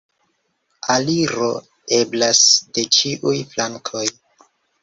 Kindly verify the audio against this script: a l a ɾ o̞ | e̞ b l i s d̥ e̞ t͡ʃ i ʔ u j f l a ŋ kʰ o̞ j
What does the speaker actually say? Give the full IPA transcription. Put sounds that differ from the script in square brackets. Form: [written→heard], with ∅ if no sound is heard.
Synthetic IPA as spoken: a l [a→i] ɾ o̞ | e̞ b l [i→a] s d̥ e̞ t͡ʃ i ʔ u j f l a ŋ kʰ o̞ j